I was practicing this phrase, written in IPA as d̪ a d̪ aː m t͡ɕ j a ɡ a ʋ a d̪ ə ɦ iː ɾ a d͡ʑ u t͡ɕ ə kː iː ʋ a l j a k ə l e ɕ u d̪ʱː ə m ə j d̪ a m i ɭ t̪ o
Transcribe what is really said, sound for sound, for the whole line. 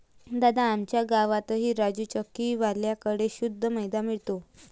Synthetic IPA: d̪ a d̪ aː m t͡ɕ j a ɡ a ʋ a t̪ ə ɦ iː ɾ a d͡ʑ u t͡ɕ ə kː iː ʋ a l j a k ə ɽ e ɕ u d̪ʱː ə m ə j d̪ a m i ɭ t̪ o